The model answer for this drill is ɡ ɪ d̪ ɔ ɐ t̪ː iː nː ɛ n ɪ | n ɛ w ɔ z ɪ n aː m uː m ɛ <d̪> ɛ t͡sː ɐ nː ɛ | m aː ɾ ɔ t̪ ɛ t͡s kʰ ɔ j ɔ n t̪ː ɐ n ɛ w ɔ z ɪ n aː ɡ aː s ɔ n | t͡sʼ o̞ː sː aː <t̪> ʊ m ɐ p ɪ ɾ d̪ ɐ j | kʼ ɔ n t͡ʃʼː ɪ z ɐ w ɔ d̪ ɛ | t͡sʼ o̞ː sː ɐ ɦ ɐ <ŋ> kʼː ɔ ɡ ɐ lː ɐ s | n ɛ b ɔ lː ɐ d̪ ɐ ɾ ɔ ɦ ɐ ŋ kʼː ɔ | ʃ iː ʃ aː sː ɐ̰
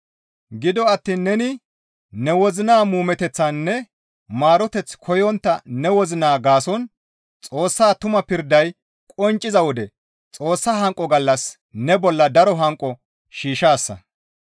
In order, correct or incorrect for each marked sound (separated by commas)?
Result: incorrect, correct, correct